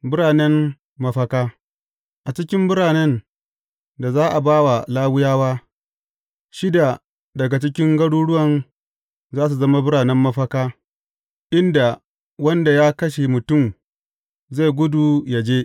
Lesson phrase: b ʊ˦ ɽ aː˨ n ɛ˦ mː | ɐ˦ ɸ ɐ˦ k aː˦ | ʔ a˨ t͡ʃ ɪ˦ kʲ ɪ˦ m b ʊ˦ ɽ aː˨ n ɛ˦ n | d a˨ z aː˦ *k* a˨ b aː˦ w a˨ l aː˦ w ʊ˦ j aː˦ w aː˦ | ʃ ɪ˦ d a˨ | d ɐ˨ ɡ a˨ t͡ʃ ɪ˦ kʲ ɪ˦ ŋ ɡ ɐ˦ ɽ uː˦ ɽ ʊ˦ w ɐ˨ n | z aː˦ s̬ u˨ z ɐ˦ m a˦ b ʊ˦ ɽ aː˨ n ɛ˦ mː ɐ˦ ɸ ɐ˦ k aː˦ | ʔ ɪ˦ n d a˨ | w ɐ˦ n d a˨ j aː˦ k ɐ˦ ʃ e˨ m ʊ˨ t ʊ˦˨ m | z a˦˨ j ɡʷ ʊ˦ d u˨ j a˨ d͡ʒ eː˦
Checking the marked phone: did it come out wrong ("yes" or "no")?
yes